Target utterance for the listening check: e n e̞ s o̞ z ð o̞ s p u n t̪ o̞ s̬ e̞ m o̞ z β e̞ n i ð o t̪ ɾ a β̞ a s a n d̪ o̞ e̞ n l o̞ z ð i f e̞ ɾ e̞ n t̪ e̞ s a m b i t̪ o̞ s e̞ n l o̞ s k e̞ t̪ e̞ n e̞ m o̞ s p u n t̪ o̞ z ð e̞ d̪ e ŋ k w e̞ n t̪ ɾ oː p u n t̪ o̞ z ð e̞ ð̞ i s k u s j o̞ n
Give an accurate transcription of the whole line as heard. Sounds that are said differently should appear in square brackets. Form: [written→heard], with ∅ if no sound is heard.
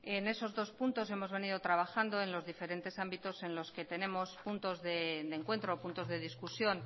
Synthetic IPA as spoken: e n e̞ s o̞ z ð o̞ s p u n t̪ o̞ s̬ e̞ m o̞ z β e̞ n i ð o t̪ ɾ a β̞ a [s→x] a n d̪ o̞ e̞ n l o̞ z ð i f e̞ ɾ e̞ n t̪ e̞ s a m b i t̪ o̞ s e̞ n l o̞ s k e̞ t̪ e̞ n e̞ m o̞ s p u n t̪ o̞ z ð e̞ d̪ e ŋ k w e̞ n t̪ ɾ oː p u n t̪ o̞ z ð e̞ ð̞ i s k u s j o̞ n